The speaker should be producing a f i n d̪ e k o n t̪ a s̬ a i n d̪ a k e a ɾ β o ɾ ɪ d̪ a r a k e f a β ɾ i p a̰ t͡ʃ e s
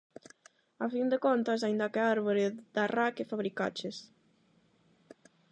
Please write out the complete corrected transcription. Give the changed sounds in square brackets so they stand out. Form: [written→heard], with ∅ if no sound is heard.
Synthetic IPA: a f i n d̪ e k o n t̪ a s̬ a i n d̪ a k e a ɾ β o ɾ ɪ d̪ a r a k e f a β ɾ i [p→k] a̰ t͡ʃ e s